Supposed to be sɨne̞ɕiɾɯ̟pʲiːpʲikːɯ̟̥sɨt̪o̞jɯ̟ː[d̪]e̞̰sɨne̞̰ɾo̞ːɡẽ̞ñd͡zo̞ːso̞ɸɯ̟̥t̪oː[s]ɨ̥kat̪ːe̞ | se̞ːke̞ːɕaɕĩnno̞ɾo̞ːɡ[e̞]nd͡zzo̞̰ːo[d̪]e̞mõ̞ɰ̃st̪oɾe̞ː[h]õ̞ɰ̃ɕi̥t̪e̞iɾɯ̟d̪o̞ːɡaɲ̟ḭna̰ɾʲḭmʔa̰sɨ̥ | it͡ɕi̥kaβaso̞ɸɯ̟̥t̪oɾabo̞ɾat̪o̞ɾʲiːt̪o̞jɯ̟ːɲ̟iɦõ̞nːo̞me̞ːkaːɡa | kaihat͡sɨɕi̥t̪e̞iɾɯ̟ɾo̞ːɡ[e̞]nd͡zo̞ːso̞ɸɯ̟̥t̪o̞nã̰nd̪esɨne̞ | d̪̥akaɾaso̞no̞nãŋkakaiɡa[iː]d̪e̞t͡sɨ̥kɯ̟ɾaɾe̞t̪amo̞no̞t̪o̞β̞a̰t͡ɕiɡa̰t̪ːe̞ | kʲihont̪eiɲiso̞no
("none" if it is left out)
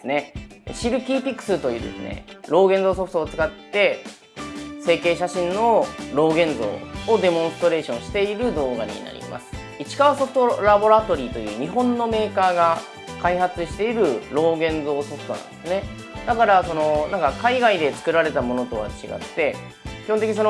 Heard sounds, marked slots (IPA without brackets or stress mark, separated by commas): d̪, t͡s, ẽ̞, d̪, ɕ, ẽ̞, i